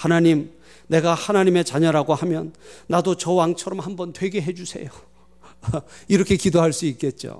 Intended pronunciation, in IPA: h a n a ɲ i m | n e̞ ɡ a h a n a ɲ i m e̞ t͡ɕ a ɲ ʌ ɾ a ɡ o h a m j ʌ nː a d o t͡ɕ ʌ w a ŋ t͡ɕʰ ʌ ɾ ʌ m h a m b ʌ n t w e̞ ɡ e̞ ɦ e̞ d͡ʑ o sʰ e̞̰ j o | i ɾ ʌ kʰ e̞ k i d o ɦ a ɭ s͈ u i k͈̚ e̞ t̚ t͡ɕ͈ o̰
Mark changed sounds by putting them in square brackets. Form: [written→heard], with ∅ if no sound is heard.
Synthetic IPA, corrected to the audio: h a n a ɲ i m | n e̞ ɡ a h a n a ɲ i m e̞ t͡ɕ a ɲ ʌ ɾ a ɡ o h a m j ʌ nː a d o t͡ɕ ʌ w a ŋ t͡ɕʰ ʌ ɾ ʌ m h a m b ʌ n t w e̞ ɡ e̞ ɦ e̞ d͡ʑ [o→u] sʰ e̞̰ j o | i ɾ ʌ kʰ e̞ k i d o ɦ a ɭ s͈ u i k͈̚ e̞ t̚ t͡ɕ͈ o̰